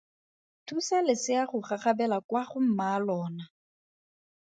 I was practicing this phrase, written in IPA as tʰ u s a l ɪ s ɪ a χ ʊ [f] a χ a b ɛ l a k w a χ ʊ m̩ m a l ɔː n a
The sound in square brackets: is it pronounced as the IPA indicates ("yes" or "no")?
no